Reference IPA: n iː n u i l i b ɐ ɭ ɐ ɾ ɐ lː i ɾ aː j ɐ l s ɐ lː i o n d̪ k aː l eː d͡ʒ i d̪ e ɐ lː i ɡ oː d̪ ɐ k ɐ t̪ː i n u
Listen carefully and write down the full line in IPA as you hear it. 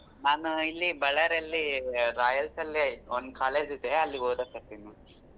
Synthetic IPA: n aː n u i lː i b ɐ ɭ ɐ ɾ ɐ lː i ɾ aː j ɐ l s ɐ lː i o n d̪ k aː l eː d͡ʒ i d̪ e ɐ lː i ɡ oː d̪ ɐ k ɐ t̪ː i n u

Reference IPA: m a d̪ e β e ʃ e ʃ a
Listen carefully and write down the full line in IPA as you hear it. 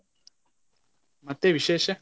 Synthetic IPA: m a t̪ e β i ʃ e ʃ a

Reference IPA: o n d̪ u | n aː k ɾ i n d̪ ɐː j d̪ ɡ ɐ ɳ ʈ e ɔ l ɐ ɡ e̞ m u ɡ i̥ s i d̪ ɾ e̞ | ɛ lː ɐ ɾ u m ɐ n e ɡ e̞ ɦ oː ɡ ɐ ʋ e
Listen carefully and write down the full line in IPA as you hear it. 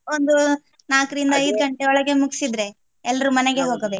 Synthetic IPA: o n d̪ u | n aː k ɾ i n d̪ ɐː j d̪ ɡ ɐ ɳ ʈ e ɔ ɭ ɐ ɡ e̞ m u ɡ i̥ s i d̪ ɾ e̞ | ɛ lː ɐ ɾ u m ɐ n e ɡ e̞ ɦ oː ɡ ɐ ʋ e

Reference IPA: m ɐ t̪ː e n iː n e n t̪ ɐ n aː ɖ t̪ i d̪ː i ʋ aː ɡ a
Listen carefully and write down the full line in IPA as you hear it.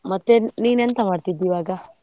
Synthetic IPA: m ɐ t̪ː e n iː n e n t̪ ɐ m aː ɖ t̪ i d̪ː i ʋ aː ɡ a

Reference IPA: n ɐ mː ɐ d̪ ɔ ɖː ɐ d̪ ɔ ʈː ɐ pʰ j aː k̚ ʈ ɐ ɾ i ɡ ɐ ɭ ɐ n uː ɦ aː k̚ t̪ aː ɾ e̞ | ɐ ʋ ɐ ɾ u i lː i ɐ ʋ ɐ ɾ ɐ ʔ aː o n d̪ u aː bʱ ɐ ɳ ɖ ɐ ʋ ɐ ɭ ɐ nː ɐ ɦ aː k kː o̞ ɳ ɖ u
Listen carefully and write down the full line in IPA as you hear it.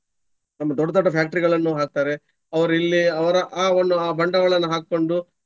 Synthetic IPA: n ɐ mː ɐ d̪ ɔ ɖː ɐ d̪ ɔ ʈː ɐ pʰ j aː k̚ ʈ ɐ ɾ i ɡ ɐ ɭ ɐ nː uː ɦ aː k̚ t̪ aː ɾ e̞ | ɐ ʋ ɐ ɾ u i lː i ɐ ʋ ɐ ɾ ɐ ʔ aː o n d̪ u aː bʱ ɐ ɳ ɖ ɐ ʋ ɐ ɭ ɐ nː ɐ ɦ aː k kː o̞ ɳ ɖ u

